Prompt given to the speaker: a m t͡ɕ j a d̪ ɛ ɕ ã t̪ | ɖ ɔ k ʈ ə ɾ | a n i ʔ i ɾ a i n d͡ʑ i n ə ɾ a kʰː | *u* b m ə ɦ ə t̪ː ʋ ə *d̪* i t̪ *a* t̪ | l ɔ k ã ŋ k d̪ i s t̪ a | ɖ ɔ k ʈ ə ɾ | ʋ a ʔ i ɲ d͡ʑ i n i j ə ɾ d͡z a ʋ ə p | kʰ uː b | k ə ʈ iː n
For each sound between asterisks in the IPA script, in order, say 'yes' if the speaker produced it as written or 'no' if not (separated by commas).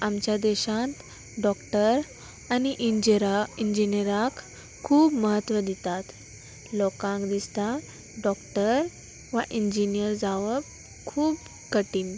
no, yes, yes